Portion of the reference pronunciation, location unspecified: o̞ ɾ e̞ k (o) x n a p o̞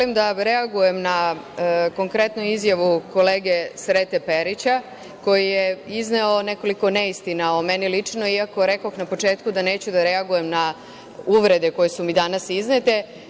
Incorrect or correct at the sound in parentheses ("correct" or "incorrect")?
correct